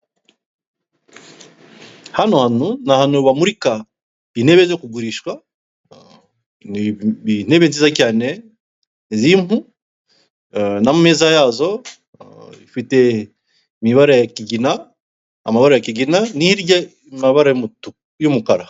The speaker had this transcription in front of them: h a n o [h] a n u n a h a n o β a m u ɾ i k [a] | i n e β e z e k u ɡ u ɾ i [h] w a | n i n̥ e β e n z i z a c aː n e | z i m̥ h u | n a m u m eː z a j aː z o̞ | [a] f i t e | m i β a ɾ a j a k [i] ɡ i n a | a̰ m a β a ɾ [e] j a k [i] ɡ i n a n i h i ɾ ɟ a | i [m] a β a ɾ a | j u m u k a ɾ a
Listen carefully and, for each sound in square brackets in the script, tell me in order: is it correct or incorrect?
correct, correct, incorrect: ʃ, incorrect: i, correct, incorrect: a, correct, correct

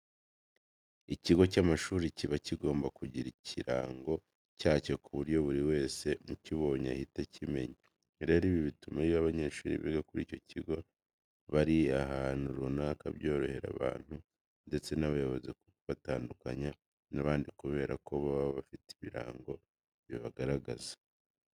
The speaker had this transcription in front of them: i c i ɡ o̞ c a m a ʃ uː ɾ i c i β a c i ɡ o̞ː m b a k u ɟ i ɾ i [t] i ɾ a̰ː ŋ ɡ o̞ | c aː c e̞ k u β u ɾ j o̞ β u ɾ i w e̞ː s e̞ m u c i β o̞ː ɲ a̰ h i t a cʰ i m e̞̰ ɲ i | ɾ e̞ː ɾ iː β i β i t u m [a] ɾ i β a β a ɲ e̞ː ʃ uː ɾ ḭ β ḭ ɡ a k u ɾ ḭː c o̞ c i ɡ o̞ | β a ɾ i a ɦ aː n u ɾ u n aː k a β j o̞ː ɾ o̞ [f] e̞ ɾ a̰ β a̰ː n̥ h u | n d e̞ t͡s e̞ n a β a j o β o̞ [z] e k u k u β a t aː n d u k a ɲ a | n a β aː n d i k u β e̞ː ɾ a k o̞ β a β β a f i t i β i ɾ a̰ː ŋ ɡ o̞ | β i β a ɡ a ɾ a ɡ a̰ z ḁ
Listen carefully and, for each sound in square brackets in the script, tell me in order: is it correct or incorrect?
incorrect: c, correct, incorrect: h, correct

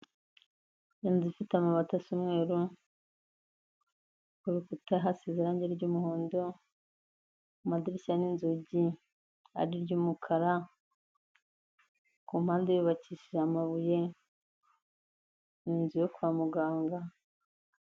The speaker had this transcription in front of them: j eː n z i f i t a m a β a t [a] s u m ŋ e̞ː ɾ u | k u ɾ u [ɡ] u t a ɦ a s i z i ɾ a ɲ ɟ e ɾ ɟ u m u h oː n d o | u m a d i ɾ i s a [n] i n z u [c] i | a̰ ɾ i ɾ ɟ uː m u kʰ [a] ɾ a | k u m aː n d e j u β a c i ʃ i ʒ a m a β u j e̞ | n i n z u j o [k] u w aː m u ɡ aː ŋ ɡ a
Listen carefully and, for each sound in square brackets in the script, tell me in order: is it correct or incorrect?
correct, incorrect: k, correct, incorrect: ɟ, correct, correct

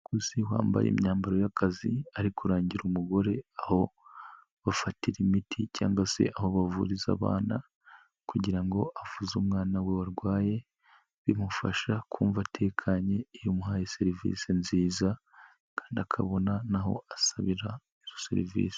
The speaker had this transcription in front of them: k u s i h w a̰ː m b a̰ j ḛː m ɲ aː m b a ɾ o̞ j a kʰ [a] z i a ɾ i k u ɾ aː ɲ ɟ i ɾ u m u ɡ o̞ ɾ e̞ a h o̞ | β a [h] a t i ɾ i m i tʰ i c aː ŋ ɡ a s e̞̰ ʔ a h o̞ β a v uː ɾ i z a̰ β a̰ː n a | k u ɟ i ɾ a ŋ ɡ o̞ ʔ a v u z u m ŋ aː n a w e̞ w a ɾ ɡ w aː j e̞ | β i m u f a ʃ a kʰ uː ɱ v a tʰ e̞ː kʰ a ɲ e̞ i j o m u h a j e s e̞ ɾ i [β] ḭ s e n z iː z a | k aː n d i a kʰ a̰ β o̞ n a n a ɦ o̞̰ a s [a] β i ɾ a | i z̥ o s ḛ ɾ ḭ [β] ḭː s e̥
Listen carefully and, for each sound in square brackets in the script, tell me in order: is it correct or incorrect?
correct, incorrect: f, incorrect: v, correct, incorrect: v

